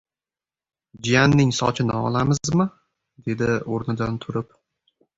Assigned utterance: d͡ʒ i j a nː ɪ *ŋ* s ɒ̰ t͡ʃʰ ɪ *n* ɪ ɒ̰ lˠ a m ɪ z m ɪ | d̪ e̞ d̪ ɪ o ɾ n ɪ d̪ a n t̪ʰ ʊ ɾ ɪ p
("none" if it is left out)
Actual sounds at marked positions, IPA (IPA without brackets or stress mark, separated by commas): ŋ, n